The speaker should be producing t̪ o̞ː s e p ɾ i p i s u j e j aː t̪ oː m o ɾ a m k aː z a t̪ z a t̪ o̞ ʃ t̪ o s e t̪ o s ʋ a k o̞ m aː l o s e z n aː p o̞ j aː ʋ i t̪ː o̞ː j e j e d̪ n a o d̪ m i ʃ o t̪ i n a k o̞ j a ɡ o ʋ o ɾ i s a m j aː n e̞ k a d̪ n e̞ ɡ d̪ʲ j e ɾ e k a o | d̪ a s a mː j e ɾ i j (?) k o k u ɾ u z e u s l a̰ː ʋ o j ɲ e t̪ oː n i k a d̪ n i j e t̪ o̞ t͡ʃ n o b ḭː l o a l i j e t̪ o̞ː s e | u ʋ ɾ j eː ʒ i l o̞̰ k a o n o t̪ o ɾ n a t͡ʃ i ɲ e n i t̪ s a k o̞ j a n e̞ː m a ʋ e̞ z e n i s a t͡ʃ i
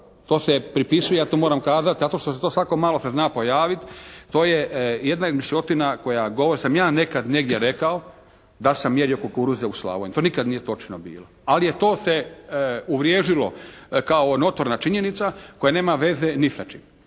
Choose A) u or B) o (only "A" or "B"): B